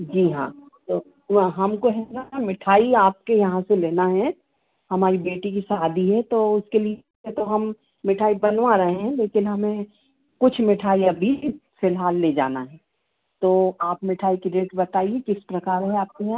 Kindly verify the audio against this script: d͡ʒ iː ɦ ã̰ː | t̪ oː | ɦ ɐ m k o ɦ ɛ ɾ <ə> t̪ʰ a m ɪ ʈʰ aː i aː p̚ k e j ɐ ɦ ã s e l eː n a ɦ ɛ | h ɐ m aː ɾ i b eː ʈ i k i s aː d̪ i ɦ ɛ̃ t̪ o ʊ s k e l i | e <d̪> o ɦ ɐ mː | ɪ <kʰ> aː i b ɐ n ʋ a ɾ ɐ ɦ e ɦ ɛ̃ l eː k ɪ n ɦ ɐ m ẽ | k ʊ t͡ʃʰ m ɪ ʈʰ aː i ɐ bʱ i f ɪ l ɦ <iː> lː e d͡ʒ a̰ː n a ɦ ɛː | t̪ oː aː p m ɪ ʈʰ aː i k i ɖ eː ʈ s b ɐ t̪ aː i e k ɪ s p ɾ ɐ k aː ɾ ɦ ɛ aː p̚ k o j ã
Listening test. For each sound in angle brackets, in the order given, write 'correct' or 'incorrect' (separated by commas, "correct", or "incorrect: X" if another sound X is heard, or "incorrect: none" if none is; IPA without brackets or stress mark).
incorrect: a, incorrect: t̪, incorrect: ʈʰ, incorrect: aː